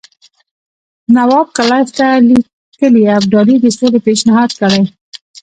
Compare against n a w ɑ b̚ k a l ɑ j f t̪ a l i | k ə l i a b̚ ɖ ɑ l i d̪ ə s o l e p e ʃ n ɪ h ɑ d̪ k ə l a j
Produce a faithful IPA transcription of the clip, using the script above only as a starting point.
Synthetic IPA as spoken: n a w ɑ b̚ k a l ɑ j f t̪ a l i | k ə l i a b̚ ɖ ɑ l i d̪ ə s o l e p e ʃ n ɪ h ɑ d̪ k ə ɽ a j